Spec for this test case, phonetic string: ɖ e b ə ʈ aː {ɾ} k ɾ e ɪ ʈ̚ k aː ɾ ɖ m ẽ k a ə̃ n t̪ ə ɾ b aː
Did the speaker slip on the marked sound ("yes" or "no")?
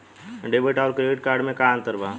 no